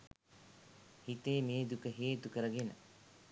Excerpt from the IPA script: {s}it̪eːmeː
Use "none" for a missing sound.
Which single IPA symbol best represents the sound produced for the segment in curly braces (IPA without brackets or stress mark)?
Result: h